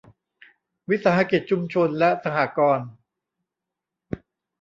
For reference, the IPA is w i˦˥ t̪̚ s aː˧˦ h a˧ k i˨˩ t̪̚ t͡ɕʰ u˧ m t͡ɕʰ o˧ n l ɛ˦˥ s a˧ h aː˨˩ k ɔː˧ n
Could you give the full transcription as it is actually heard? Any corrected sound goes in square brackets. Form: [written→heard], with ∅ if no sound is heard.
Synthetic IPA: w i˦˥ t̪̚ s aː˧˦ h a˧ k i˨˩ t̪̚ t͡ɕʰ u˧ m t͡ɕʰ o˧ n l ɛ˦˥ s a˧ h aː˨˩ k ɔː˧ n